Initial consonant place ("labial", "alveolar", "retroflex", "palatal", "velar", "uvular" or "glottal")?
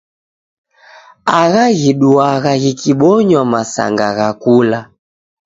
velar